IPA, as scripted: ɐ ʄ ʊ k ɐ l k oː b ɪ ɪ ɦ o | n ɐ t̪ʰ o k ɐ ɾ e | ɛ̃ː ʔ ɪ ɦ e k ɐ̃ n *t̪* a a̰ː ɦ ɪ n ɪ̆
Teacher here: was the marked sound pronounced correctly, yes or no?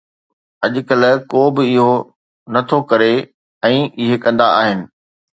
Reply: no